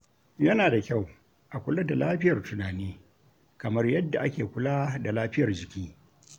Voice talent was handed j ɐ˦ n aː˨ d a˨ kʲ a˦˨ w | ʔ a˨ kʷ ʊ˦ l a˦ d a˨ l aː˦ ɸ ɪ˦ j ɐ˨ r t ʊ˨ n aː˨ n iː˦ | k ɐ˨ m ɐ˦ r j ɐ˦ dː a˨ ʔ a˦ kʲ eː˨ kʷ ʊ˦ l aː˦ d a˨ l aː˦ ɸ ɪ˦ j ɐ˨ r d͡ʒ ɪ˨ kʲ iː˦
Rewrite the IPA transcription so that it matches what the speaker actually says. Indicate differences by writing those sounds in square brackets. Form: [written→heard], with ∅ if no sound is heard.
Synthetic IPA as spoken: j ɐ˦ n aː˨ d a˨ kʲ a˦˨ w | ʔ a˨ kʷ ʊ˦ l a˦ d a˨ l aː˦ ɸ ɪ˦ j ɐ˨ r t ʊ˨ n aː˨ n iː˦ | k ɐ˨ m ɐ˦ r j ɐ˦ dː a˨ ʔ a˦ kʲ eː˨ kʷ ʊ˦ l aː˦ d a˨ l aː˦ ɸ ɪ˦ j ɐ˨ r d͡ʒ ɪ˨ kʲ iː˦